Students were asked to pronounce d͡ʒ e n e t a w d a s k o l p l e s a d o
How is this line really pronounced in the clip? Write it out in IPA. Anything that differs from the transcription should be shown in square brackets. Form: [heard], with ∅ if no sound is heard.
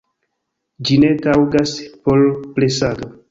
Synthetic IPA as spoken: d͡ʒ [i] n e t a w [ɡ] a s [p] o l p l e s a d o